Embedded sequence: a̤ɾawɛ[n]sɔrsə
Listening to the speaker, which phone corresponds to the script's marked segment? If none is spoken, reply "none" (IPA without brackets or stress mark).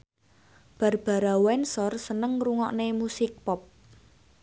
n